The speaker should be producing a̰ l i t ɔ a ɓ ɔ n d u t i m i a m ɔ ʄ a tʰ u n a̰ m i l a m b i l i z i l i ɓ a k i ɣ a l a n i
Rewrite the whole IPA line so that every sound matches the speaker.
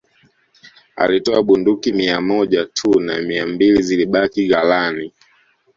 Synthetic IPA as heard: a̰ l i t ɔ a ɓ u n d u k i m i a m ɔ ʄ a tʰ u n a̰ m i a m b i l i z i l i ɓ a k i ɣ a l a n i